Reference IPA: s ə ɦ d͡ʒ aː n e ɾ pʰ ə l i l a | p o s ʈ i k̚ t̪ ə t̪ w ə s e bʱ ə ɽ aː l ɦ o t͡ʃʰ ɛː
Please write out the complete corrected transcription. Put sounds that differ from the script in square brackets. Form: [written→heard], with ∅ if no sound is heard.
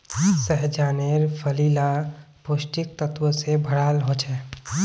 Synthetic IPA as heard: s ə ɦ d͡ʒ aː n e ɾ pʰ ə l i l a | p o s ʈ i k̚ t̪ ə t̪ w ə s e bʱ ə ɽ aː l ɦ o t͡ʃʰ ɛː

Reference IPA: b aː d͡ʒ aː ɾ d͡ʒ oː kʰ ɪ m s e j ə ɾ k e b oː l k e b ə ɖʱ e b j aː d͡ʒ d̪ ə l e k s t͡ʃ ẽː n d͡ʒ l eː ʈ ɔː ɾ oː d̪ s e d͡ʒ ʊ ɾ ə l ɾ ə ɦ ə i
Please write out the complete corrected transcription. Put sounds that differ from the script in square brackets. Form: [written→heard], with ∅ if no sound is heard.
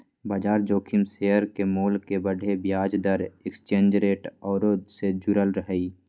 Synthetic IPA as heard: b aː d͡ʒ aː ɾ d͡ʒ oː kʰ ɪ m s e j ə ɾ k e [b→m] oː l k e b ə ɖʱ e b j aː d͡ʒ d̪ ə [l→ɾ] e k s t͡ʃ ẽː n d͡ʒ [l→ɾ] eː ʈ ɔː ɾ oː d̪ s e d͡ʒ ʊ ɾ ə l ɾ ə ɦ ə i

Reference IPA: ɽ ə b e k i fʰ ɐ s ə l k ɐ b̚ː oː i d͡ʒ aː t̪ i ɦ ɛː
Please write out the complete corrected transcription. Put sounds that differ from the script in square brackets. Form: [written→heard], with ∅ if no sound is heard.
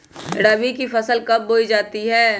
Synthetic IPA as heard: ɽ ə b [e→i] k i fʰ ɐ s ə l k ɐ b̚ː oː i d͡ʒ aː t̪ i ɦ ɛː

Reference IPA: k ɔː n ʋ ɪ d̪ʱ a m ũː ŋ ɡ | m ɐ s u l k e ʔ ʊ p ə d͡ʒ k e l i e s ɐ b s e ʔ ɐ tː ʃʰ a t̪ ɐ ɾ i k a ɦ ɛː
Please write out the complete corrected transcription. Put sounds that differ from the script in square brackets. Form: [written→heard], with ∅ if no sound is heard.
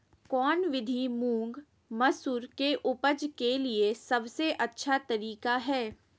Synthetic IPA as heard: k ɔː n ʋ ɪ d̪ʱ [a→i] m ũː ŋ ɡ | m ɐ s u [l→ɾ] k e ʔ ʊ p ə d͡ʒ k e l i e s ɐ b s e ʔ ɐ tː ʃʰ a t̪ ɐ ɾ [i→iː] k a ɦ ɛː

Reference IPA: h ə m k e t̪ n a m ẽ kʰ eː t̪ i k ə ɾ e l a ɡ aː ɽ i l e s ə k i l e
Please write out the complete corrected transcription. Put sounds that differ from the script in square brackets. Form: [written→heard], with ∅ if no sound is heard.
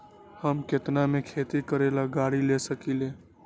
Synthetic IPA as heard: h ə m k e t̪ n a m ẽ kʰ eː t̪ i k ə ɾ e l a ɡ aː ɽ i l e s ə k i l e

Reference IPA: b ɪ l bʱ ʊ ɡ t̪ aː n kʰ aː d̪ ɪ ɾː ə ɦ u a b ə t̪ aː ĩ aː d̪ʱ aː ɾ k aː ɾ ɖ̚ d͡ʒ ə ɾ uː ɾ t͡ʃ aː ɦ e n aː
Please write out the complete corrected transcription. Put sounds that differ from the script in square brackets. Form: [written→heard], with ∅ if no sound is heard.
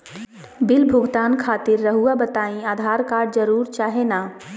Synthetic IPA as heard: b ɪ l bʱ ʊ ɡ t̪ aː n kʰ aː [d̪→t̪] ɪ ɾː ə ɦ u a b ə t̪ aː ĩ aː d̪ʱ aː ɾ k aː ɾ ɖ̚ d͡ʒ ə ɾ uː ɾ t͡ʃ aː ɦ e n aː

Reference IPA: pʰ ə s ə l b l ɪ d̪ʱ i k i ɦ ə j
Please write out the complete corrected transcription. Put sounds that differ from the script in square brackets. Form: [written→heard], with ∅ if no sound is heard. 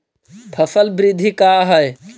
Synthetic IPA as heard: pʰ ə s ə l b [l→ɾ] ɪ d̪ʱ i k [i→a] ɦ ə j

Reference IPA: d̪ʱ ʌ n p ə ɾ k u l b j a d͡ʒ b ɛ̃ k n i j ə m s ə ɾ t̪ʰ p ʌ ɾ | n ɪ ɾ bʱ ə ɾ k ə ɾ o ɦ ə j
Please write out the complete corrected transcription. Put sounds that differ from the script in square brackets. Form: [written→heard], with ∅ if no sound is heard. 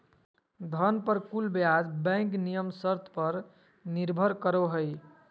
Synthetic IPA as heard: d̪ʱ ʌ n p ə ɾ k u l b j a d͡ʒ b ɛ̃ k n i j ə m s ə ɾ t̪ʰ p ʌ ɾ | n [ɪ→i] ɾ bʱ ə ɾ k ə ɾ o ɦ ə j

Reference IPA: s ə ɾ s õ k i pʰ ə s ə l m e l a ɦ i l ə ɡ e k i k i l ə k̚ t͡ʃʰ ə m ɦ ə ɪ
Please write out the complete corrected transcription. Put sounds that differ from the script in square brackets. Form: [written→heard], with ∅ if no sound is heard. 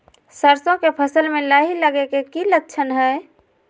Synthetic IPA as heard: s ə ɾ s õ k [i→e] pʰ ə s ə l m e l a ɦ i l ə ɡ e k [i→e] k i l ə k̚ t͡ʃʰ ə [m→n] ɦ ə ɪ

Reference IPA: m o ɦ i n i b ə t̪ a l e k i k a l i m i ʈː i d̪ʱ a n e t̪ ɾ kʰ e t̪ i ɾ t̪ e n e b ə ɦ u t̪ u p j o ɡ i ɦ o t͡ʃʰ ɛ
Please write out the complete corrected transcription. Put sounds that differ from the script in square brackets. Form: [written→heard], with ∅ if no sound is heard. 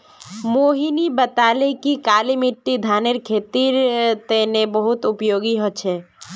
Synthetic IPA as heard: m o ɦ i n i b ə t̪ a l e k i k a l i m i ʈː i d̪ʱ a n e [t̪→∅] ɾ kʰ e t̪ i ɾ t̪ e n e b ə ɦ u t̪ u p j o ɡ i ɦ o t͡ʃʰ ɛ

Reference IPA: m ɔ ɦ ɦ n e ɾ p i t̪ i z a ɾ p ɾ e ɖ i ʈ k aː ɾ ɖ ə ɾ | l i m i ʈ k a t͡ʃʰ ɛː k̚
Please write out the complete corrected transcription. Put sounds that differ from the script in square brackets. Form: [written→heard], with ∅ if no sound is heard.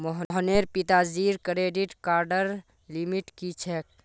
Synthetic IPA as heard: m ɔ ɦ ɦ n e ɾ p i t̪ [i→a] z [a→i] ɾ [p→k] ɾ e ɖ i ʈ k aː ɾ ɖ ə ɾ | l i m i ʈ k [a→i] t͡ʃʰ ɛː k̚

